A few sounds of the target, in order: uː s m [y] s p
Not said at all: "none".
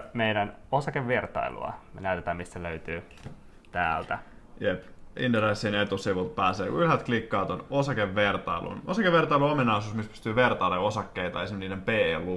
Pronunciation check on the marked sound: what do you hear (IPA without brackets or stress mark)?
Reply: i